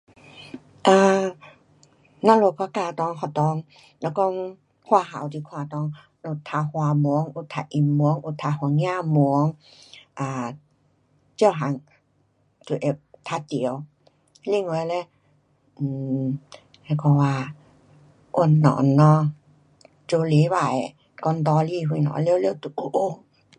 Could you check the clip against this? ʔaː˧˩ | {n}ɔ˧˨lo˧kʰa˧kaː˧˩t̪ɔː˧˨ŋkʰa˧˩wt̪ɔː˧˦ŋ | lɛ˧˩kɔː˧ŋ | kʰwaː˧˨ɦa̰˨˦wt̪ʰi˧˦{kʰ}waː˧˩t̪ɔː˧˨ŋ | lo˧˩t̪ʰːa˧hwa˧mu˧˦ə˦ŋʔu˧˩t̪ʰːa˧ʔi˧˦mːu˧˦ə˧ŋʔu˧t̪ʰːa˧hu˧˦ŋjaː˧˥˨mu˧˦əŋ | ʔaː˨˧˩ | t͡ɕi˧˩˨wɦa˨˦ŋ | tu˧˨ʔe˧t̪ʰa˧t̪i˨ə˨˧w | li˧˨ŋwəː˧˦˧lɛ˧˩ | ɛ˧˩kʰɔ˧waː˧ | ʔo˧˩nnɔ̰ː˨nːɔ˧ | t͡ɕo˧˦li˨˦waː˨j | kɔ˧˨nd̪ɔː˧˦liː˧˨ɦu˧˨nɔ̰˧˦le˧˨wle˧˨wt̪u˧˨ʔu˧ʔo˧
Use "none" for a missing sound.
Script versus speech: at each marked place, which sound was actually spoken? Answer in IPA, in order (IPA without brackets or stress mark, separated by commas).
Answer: n, kʰ